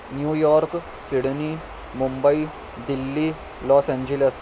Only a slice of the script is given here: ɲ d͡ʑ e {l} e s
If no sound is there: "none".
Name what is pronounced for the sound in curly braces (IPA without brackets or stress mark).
l